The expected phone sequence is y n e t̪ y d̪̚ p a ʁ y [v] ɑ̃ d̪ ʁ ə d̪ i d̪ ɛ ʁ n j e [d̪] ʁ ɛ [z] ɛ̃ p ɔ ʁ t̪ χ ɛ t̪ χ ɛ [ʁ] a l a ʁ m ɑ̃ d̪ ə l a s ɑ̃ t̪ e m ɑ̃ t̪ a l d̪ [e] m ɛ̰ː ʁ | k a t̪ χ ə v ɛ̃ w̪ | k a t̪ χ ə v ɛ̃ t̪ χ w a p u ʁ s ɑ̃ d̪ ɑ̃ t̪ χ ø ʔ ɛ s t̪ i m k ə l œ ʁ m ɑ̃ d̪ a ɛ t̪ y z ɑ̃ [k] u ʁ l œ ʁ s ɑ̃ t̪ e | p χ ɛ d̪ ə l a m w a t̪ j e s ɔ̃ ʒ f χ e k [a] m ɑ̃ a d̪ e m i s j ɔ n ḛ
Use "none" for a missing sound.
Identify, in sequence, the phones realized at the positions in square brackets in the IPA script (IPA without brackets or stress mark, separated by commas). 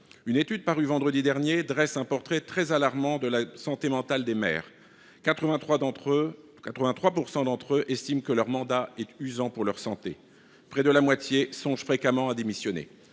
v, d̪, s, z, e, p, a